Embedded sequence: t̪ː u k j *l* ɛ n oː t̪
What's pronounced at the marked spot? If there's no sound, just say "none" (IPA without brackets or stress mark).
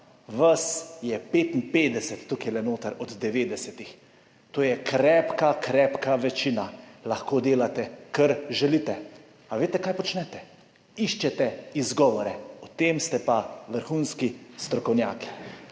l